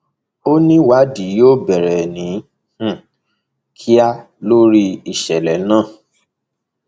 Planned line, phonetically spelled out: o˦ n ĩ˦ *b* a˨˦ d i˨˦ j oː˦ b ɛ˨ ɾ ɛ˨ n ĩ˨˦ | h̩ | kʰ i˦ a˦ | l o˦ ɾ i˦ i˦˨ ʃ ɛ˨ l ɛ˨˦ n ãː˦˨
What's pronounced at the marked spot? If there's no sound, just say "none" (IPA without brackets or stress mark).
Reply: w